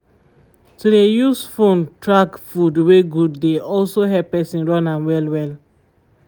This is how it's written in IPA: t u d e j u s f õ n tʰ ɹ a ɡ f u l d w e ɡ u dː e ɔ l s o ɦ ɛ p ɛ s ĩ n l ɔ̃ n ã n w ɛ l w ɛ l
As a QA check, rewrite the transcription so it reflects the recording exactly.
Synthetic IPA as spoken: t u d e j u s f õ n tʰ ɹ a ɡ f u d w e ɡ u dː e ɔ l s o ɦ ɛ p ɛ s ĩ n ɹ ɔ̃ n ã n w ɛ l w ɛ l

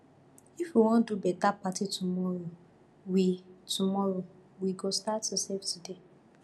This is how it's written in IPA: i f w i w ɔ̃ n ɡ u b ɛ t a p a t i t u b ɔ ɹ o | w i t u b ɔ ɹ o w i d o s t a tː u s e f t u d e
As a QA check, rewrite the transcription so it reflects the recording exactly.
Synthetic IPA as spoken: i f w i w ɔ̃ n d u b ɛ t a p a t i t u m ɔ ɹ o | w i t u m ɔ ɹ o w i ɡ o s t a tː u s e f t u d e

